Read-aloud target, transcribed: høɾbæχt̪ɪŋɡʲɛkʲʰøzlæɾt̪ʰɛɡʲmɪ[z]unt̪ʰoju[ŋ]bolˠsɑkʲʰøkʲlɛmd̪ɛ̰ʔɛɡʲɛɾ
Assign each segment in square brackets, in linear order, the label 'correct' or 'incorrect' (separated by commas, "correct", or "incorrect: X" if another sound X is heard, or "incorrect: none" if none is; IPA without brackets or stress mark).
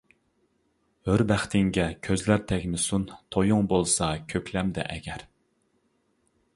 incorrect: s, correct